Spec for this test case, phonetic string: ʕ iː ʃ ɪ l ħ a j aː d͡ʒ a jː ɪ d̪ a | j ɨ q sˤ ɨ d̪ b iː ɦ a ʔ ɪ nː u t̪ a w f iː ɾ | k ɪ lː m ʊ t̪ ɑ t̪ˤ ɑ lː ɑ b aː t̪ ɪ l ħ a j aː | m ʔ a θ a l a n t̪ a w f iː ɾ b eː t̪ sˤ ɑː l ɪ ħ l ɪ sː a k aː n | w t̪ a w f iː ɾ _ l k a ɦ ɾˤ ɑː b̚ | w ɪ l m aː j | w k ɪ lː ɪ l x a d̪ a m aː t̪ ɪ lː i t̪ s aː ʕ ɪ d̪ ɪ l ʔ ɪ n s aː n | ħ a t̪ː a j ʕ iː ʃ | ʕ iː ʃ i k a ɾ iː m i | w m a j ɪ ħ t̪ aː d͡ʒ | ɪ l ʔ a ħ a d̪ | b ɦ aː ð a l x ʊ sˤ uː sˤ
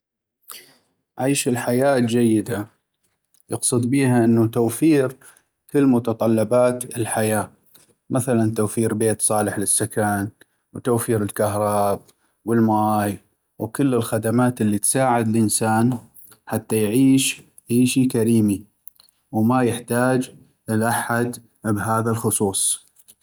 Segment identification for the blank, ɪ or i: ɪ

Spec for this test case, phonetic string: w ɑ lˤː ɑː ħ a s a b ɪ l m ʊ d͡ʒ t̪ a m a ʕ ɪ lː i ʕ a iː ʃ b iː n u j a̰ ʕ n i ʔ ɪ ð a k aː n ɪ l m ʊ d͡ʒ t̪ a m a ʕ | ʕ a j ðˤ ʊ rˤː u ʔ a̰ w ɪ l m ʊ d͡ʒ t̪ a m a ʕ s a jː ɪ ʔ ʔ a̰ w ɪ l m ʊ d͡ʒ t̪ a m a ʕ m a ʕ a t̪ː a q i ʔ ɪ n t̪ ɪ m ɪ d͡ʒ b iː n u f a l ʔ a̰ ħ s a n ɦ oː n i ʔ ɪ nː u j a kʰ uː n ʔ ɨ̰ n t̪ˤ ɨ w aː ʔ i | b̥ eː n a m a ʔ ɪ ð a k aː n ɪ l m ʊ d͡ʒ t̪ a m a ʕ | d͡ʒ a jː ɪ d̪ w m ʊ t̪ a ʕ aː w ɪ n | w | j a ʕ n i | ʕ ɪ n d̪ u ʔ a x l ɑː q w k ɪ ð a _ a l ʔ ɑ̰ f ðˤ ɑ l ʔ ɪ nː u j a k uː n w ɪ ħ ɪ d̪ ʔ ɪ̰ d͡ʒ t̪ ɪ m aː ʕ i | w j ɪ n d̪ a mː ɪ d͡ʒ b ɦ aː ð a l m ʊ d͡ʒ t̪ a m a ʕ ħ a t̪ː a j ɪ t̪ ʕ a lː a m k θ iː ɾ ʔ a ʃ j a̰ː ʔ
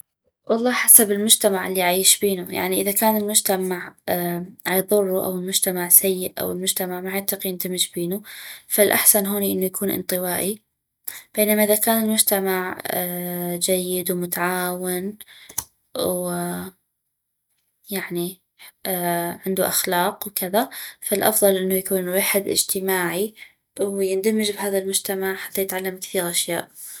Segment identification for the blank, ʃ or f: f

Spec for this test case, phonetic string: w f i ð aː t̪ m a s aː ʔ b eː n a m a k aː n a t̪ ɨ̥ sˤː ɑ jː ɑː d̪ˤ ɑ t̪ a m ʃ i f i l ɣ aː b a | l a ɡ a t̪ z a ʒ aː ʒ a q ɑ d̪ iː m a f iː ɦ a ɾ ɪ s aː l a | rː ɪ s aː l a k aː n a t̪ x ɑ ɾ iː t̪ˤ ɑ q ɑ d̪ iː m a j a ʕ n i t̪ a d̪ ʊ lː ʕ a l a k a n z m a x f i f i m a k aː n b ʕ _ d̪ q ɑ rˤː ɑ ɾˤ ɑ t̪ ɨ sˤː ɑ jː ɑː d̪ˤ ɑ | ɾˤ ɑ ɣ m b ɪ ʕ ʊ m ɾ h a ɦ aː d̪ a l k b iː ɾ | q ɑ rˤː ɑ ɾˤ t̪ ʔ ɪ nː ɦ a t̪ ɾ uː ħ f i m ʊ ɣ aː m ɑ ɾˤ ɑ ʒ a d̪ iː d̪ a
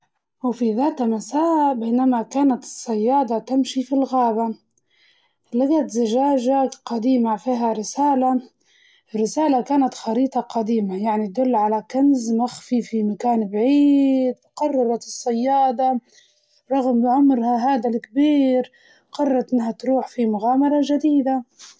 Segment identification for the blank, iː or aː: iː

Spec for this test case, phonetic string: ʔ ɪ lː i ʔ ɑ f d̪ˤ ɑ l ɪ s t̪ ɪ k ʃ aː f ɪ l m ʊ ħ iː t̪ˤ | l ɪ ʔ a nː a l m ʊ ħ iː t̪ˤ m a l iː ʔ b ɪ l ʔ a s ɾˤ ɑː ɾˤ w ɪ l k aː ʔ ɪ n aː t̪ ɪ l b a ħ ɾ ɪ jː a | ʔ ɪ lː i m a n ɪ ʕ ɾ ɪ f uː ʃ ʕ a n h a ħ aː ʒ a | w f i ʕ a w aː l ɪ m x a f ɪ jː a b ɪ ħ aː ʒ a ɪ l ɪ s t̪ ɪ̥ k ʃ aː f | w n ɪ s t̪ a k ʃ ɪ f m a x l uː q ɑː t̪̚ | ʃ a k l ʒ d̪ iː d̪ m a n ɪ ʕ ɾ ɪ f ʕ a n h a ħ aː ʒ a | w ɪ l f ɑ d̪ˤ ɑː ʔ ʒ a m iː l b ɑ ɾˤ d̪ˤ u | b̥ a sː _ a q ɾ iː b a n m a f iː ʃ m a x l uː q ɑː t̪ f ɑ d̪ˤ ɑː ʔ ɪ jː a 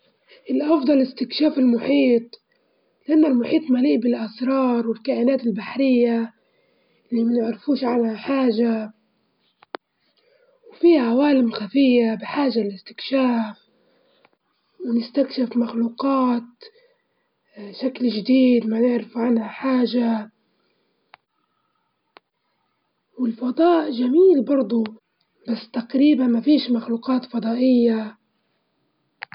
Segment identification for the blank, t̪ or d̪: t̪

